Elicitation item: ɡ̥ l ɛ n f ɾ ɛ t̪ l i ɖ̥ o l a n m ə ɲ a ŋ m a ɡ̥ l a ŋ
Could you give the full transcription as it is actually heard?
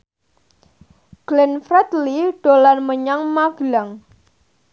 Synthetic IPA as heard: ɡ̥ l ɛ n f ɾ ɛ t̪ l i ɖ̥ o l a n m ə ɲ a ŋ m a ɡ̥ l a ŋ